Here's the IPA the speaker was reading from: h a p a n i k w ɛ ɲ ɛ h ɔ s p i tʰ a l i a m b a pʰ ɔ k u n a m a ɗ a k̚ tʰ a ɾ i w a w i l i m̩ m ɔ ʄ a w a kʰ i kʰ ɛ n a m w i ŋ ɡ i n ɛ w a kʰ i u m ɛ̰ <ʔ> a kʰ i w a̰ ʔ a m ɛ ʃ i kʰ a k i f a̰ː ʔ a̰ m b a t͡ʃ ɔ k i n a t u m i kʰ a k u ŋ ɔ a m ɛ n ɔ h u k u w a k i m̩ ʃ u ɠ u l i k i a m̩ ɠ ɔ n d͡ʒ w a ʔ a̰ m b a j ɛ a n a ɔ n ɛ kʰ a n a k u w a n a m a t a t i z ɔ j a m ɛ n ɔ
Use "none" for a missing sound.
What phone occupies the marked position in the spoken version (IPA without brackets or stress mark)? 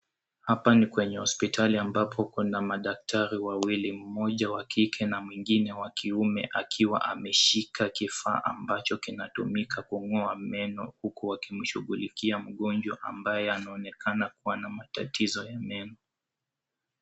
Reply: ʔ